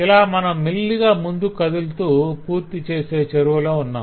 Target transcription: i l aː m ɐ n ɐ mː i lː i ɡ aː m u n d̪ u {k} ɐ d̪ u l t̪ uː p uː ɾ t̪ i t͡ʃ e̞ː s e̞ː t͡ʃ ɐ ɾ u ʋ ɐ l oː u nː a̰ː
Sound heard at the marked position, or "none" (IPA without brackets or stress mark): k